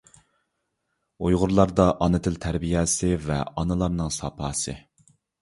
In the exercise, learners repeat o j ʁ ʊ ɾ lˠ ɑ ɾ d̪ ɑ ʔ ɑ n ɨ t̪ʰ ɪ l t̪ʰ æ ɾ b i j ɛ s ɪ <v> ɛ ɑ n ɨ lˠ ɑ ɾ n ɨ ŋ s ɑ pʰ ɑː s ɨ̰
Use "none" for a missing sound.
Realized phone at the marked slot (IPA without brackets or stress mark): v